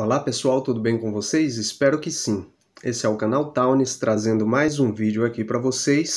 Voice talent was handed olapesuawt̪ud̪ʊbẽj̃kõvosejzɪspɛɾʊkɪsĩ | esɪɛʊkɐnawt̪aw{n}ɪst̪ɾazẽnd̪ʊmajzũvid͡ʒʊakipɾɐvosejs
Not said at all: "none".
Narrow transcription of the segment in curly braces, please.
n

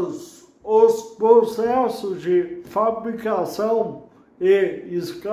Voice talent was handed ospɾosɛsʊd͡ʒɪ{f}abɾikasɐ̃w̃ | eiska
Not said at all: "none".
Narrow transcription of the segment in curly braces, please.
f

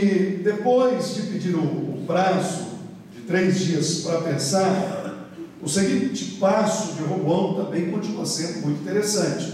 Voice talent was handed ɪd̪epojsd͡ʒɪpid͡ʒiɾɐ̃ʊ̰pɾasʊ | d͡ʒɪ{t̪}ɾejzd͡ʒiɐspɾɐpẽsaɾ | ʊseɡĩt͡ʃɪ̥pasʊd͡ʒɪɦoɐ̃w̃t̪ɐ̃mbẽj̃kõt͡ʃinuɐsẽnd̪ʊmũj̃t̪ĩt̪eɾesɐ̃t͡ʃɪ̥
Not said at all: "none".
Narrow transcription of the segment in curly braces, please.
t̪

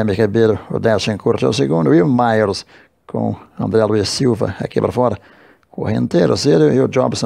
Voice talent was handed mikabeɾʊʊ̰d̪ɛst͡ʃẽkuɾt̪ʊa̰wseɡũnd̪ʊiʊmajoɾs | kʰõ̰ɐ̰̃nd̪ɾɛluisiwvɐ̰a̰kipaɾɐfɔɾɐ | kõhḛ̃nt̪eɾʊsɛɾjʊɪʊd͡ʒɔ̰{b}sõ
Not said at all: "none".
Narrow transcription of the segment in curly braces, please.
b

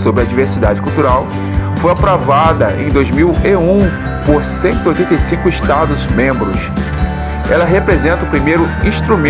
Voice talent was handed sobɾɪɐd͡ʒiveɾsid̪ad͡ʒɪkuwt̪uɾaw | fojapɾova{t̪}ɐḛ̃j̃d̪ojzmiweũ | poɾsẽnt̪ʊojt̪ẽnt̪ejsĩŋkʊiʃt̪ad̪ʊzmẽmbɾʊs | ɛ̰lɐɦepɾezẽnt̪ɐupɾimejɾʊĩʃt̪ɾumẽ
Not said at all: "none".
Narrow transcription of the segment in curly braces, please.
d̪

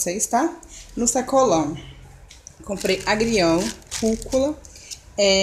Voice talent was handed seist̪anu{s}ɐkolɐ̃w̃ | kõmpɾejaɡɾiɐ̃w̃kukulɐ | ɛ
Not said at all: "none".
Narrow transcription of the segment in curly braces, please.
s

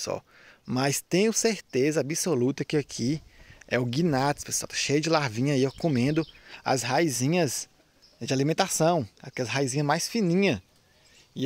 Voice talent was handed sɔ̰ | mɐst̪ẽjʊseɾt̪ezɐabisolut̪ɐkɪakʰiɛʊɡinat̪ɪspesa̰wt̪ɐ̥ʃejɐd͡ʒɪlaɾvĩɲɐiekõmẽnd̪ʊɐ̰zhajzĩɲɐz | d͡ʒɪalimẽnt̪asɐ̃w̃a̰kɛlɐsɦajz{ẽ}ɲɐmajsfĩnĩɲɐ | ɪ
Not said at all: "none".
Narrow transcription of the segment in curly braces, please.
ĩ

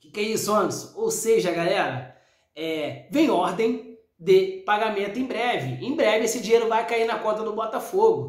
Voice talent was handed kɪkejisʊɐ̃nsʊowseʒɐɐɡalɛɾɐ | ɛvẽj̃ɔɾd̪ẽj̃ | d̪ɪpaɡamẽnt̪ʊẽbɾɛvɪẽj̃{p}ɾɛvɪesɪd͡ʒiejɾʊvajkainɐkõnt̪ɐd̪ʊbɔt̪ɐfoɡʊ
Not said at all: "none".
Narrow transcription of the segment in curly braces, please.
b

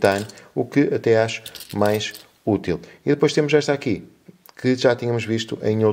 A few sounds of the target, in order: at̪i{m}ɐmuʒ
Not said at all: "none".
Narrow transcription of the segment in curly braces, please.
ɲ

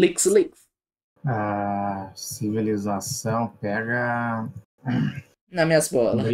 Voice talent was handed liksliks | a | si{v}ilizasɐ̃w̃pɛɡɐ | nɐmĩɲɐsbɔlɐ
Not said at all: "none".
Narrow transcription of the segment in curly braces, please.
v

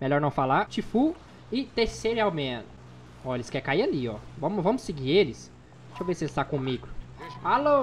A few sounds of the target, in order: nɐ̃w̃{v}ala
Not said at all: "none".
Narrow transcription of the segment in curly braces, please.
f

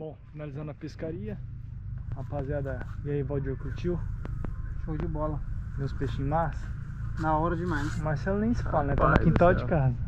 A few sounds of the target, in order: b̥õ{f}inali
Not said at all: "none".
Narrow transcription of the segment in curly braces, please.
f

